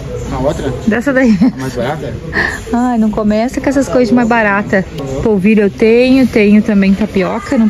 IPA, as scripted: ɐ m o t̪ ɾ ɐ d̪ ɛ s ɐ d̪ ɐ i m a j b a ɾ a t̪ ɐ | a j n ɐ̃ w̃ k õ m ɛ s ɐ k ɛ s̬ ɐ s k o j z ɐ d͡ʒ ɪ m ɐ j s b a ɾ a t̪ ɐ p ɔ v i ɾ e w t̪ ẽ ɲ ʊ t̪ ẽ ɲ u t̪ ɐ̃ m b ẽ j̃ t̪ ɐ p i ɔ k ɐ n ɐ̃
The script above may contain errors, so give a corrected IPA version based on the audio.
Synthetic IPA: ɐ o t̪ ɾ ɐ d̪ ɛ s ɐ d̪ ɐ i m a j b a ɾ a t̪ ɐ | a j n ɐ̃ w̃ k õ m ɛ s ɐ k ɛ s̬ ɐ s k o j z ɐ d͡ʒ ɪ m a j z b a ɾ a t̪ ɐ p o v i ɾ e w t̪ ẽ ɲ ʊ t̪ ẽ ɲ ʊ t̪ ɐ̃ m b ẽ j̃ t̪ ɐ p i ɔ k ɐ n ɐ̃